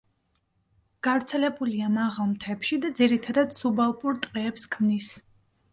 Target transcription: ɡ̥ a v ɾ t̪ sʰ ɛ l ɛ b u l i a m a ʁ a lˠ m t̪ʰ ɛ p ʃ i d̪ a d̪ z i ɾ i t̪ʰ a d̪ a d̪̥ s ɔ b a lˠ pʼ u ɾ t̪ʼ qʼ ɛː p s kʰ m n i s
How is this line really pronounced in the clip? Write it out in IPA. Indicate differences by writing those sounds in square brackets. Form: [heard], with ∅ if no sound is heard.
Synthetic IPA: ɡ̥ a v ɾ t̪ sʰ ɛ l ɛ b u l i a m a ʁ a lˠ m t̪ʰ ɛ p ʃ i d̪ a d̪ z i ɾ i t̪ʰ a d̪ a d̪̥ s [u] b a lˠ pʼ u ɾ t̪ʼ qʼ ɛː p s kʰ m n i s